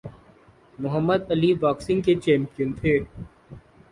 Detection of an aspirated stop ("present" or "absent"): present